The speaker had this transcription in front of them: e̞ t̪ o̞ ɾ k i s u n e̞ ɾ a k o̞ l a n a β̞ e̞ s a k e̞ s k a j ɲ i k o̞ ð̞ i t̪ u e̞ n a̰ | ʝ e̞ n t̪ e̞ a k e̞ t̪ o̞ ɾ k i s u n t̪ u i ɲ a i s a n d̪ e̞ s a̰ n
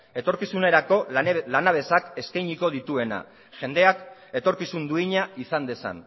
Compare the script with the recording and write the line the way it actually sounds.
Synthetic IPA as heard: e̞ t̪ o̞ ɾ k i s u n e̞ ɾ a k o̞ l a n a β̞ e̞ s a k e̞ s k a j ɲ i k o̞ ð̞ i t̪ u e̞ n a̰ | ʝ e̞ n d̪ e̞ a k e̞ t̪ o̞ ɾ k i s u n d̪ u i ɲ a i s a n d̪ e̞ s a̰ n